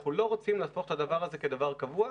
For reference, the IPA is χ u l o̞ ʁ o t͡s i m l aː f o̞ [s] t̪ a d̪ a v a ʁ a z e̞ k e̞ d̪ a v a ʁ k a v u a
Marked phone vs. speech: incorrect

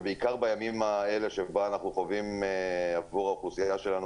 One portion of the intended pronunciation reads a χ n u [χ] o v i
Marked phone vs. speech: correct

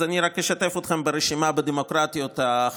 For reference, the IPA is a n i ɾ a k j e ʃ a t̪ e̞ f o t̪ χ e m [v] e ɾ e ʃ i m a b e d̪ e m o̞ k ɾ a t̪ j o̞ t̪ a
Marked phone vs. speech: incorrect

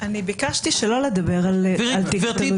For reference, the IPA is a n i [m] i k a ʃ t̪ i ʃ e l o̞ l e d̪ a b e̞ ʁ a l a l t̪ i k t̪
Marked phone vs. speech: incorrect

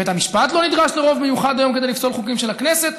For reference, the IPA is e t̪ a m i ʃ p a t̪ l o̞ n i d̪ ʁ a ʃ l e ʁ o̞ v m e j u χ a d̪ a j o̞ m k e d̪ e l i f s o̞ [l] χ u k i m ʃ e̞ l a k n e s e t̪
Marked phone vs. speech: correct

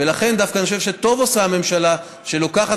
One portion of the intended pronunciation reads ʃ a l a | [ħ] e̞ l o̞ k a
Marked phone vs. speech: incorrect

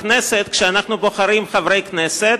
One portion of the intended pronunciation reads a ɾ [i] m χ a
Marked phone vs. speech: correct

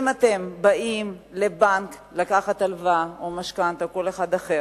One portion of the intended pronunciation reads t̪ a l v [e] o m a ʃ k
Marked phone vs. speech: incorrect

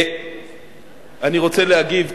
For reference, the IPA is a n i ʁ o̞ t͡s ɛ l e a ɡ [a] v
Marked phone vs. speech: incorrect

